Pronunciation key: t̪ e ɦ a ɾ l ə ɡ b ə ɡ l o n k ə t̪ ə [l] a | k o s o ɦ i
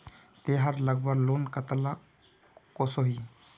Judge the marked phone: correct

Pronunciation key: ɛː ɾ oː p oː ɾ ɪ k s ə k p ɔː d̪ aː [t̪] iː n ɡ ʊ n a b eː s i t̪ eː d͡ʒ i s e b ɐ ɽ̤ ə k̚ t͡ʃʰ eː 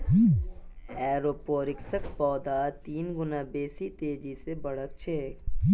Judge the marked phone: correct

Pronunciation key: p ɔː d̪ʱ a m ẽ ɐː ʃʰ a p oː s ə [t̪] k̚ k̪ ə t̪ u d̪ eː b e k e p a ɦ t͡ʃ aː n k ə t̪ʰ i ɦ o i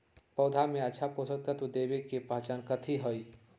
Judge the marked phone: incorrect: none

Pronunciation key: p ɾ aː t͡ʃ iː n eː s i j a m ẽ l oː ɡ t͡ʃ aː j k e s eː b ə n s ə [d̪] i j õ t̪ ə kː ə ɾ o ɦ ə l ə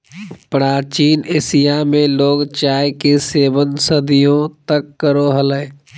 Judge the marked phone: correct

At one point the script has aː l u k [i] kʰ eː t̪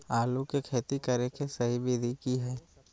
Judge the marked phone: incorrect: e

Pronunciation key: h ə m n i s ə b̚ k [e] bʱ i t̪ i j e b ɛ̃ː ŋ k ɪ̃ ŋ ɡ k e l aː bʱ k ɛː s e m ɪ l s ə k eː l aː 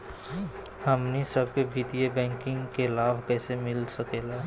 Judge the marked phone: correct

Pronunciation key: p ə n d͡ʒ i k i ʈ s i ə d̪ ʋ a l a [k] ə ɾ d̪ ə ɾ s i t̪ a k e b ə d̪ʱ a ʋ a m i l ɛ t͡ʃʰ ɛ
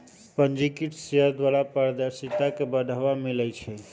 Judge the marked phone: incorrect: p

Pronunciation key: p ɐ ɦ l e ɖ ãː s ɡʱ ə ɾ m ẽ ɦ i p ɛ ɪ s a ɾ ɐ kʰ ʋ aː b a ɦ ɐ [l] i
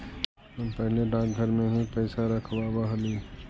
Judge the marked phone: correct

